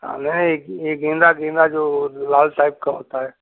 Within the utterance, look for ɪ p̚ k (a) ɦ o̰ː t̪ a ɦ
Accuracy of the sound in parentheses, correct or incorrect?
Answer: correct